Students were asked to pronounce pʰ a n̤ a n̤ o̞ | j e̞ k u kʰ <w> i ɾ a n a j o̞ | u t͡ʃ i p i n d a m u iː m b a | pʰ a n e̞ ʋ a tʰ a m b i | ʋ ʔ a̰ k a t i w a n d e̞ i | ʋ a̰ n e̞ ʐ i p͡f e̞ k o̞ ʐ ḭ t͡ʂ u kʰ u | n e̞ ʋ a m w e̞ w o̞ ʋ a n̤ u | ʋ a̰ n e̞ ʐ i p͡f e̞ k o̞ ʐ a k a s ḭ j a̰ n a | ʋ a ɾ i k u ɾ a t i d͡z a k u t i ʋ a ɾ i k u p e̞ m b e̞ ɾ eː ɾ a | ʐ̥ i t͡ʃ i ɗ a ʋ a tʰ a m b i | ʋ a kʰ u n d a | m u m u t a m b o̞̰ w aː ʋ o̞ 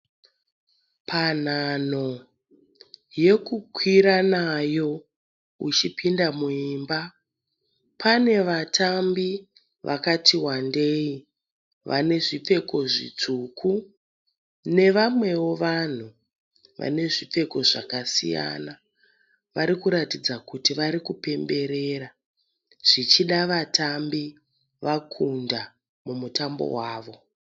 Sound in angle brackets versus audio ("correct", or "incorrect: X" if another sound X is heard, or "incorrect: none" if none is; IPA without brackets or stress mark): correct